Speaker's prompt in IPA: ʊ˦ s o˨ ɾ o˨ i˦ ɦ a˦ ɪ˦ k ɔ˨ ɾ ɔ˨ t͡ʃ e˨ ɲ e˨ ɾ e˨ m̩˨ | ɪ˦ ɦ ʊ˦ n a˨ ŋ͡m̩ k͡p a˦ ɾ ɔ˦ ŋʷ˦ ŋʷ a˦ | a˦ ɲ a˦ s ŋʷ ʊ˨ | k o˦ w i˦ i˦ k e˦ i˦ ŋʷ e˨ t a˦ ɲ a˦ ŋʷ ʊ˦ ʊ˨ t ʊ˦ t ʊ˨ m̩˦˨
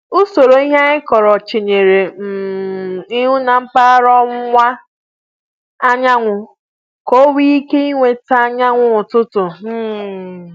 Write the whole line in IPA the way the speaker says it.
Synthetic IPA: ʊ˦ s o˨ ɾ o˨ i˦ ɦ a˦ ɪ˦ k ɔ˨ ɾ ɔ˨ t͡ʃ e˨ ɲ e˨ ɾ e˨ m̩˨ | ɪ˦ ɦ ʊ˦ n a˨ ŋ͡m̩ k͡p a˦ ɾ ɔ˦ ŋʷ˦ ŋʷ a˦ | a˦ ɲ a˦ ŋʷ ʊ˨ | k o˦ w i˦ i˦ k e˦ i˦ ŋʷ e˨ t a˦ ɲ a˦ ŋʷ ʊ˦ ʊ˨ t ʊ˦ t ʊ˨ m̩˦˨